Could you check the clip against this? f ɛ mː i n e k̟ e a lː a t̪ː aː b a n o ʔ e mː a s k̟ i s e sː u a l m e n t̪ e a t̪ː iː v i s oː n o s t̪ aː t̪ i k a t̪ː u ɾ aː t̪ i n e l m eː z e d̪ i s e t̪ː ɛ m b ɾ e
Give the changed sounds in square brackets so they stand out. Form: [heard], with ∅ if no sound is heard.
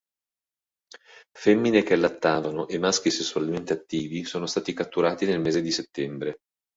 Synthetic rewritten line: f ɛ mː i n e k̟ e a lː a t̪ː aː [v] a n o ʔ e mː a s k̟ i s e sː u a l m e n t̪ e a t̪ː iː v i s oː n o s t̪ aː t̪ i k a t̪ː u ɾ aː t̪ i n e l m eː z e d̪ i s e t̪ː ɛ m b ɾ e

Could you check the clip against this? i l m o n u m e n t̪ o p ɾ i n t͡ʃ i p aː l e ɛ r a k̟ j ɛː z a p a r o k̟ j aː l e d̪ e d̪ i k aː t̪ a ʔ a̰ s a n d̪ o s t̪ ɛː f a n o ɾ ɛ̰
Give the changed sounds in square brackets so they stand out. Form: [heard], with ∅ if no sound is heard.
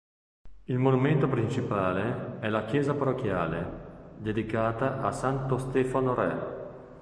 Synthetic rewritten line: i l m o n u m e n t̪ o p ɾ i n t͡ʃ i p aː l e ɛ [l] a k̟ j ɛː z a p a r o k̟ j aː l e d̪ e d̪ i k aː t̪ a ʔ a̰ s a n [t̪] o s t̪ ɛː f a n o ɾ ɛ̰

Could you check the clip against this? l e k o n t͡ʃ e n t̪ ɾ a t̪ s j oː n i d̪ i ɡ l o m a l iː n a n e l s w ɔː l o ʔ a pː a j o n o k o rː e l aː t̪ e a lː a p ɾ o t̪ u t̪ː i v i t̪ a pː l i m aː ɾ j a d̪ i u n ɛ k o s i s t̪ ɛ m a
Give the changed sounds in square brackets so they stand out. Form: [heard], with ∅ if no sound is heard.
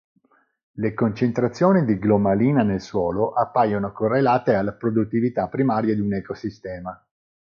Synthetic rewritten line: l e k o n t͡ʃ e n t̪ ɾ a t̪ [sː] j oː n i d̪ i ɡ l o m a l iː n a n e l s w ɔː l o ʔ a pː a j o n o k o rː e l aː t̪ e a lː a p ɾ o [d̪] u t̪ː i v i t̪ a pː [ɾ] i m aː ɾ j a d̪ i u n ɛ k o s i s t̪ [ɛː] m a

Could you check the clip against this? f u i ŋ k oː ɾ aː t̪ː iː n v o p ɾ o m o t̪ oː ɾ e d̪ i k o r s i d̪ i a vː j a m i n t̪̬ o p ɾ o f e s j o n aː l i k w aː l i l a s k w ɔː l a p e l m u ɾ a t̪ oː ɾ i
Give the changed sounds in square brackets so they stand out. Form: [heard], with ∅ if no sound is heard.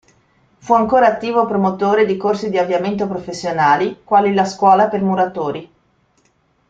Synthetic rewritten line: f u [a] ŋ k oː ɾ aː t̪ː iː [∅] v o p ɾ o m o t̪ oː ɾ e d̪ i k o r s i d̪ i a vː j a m [e] n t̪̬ o p ɾ o f e [sː] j o n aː l i k w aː l i l a s k w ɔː l a p e [r] m u ɾ a t̪ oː ɾ i

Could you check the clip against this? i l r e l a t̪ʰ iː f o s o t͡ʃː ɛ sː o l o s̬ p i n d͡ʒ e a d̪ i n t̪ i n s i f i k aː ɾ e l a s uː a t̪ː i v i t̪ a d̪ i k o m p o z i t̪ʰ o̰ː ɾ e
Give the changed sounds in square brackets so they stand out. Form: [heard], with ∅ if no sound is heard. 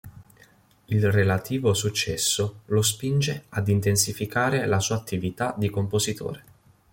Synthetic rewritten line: i l r e l a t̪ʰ iː [v] o s [u] t͡ʃː ɛ sː o l o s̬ p i n d͡ʒ e a d̪ i n t̪ [e] n s i f i k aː ɾ e l a s uː a t̪ː i v i t̪ a d̪ i k o m p o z i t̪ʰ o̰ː ɾ e

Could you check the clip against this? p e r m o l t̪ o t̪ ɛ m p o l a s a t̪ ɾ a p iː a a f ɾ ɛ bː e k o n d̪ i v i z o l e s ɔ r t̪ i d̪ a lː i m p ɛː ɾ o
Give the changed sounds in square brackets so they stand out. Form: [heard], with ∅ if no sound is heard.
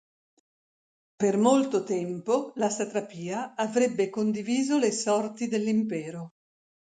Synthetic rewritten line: p e r m o l t̪ o t̪ ɛ m p o l a s a t̪ ɾ a p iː a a [v] ɾ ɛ bː e k o n d̪ i v [iː] z o l e s ɔ r t̪ i d̪ [e] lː i m p ɛː ɾ o

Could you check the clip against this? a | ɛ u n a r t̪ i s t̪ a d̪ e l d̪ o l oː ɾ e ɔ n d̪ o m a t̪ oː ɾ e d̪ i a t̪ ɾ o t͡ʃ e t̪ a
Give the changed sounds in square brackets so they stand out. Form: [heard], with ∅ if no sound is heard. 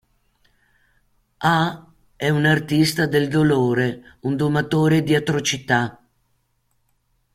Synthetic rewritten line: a | ɛ u n a r t̪ i s t̪ a d̪ e l d̪ o l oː ɾ e [u] n d̪ o m a t̪ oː ɾ e d̪ i a t̪ ɾ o t͡ʃ [i] t̪ a

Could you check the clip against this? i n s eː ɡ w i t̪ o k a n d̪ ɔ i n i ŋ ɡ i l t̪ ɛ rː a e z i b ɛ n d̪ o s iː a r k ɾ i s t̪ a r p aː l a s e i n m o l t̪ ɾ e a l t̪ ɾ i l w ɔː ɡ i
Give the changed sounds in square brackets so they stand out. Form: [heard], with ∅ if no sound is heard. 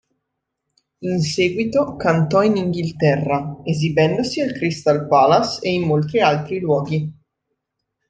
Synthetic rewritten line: i n s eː ɡ w i t̪ o k a n [t̪] ɔ i n i ŋ ɡ i l t̪ ɛ rː a e z i b ɛ n d̪ o s [i] a [l] k ɾ i s t̪ a [l] p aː l a s e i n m o l t̪ ɾ [i] a l t̪ ɾ i l w ɔː ɡ i

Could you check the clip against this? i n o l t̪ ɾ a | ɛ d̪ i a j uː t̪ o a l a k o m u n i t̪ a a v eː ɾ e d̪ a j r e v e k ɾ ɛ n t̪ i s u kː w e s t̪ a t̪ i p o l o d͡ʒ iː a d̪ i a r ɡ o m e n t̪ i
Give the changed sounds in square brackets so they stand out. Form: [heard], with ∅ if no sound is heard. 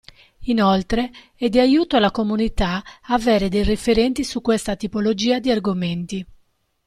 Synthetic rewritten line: i n o l t̪ ɾ [e] | ɛ d̪ i a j uː t̪ o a l a k o m u n i t̪ a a v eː ɾ e d̪ [e] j r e [f] e [∅] ɾ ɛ n t̪ i s u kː w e s t̪ a t̪ i p o l o d͡ʒ iː a d̪ i a r ɡ o m e n t̪ i

